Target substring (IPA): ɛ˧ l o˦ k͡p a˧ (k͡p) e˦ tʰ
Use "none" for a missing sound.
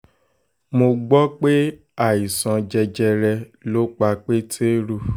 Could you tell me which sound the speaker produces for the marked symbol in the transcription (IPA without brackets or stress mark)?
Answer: k͡p